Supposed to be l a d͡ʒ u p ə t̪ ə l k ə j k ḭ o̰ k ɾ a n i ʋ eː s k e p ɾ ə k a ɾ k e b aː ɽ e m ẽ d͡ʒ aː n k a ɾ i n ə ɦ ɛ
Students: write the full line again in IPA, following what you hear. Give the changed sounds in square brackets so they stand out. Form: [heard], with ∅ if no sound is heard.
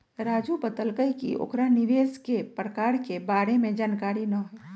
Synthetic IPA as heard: [ɾ] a d͡ʒ u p ə t̪ ə l k ə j k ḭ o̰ k ɾ a n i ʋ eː s k e p ɾ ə k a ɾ k e b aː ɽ e m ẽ d͡ʒ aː n k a ɾ i n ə ɦ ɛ